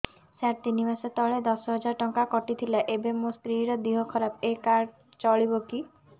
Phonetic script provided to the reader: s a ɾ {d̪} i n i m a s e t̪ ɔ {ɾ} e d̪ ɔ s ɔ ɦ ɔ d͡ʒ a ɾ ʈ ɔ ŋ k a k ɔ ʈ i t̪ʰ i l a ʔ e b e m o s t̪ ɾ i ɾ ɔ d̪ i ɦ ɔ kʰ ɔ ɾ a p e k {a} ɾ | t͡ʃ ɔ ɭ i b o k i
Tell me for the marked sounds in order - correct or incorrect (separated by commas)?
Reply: incorrect, incorrect, correct